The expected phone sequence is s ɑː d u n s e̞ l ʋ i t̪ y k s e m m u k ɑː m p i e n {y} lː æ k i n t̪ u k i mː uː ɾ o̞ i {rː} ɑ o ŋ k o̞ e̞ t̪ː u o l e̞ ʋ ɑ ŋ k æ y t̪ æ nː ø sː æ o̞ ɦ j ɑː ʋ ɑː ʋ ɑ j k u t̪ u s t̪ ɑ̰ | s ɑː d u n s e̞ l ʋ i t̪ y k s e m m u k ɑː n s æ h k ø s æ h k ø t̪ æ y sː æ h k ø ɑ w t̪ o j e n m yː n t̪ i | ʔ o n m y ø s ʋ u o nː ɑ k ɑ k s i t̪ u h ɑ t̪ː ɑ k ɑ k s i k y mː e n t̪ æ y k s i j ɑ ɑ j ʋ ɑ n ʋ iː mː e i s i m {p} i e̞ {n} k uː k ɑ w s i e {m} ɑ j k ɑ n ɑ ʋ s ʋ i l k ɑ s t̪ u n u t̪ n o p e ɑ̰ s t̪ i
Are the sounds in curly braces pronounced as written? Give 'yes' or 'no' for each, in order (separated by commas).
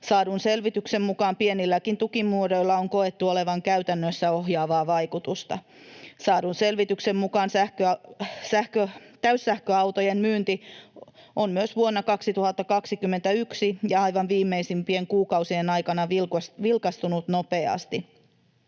no, no, yes, no, no